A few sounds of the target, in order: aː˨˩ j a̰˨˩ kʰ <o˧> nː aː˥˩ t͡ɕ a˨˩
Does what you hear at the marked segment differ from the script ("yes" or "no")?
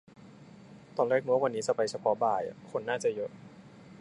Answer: no